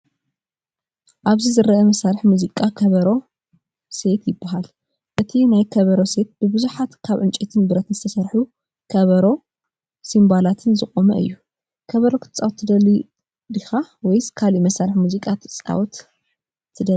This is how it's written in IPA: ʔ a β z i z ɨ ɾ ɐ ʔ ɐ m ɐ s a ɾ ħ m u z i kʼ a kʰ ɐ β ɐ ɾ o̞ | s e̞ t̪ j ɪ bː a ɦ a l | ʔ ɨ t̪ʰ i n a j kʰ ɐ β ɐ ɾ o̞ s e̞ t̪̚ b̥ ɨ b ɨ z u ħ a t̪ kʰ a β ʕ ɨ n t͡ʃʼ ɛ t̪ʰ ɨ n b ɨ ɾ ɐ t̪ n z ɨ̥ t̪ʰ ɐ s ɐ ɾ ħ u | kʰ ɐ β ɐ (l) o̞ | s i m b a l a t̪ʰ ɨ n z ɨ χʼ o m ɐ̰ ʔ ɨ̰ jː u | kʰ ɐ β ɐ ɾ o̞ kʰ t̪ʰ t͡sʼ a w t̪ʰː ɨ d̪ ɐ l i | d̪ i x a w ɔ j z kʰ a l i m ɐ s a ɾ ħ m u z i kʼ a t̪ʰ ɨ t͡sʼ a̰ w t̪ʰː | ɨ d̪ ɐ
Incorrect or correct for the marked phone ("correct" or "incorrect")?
incorrect